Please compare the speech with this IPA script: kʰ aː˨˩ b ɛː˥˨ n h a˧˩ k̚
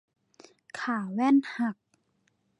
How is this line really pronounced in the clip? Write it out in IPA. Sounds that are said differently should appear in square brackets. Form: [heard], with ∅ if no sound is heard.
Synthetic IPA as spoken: kʰ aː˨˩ [w] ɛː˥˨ n h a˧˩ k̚